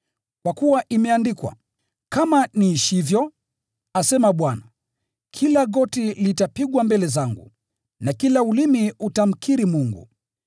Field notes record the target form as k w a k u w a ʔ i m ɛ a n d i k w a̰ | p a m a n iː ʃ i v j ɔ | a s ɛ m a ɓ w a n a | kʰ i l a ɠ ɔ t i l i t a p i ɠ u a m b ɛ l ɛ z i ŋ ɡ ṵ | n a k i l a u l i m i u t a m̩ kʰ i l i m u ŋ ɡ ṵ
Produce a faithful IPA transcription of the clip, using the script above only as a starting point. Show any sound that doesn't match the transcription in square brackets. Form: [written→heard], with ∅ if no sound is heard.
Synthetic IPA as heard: k w a k u w a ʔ i m ɛ a n d i k w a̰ | [p→k] a m a n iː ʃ i v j ɔ | a s ɛ m a ɓ w a n a | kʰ i l a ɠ ɔ t i l i t a p i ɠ [u→w] a m b ɛ l ɛ z [i→a] ŋ ɡ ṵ | n a k i l a u l i m i u t a m̩ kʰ i [l→ɾ] i m u ŋ ɡ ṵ